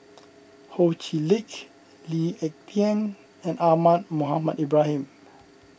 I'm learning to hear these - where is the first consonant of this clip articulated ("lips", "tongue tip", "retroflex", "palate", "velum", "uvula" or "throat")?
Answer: throat